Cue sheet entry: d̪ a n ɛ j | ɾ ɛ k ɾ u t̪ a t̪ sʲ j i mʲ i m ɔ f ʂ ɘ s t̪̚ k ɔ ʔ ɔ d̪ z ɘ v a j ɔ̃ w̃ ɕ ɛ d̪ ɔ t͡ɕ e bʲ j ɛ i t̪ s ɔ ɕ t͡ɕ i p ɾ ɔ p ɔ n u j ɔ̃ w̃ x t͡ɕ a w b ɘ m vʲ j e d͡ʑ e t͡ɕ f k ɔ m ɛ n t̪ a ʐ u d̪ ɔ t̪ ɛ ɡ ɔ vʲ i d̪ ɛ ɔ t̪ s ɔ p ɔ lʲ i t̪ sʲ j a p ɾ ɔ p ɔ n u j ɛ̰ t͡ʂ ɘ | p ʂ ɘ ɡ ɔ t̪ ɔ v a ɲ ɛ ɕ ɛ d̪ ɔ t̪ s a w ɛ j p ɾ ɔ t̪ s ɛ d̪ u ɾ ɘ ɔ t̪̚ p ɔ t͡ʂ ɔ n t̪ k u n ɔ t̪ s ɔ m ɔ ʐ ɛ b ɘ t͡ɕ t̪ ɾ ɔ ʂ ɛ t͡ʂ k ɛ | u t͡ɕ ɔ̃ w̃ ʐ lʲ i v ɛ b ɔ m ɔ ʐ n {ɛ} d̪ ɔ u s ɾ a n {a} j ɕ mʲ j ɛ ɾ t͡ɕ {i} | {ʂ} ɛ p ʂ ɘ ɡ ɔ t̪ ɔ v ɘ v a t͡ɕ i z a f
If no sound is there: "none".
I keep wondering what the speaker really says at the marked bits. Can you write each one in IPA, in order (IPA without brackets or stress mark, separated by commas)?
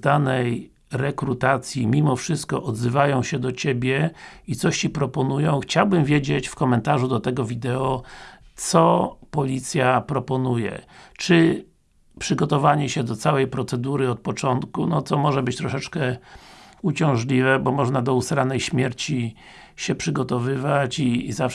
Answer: a, ɛ, i, ɕ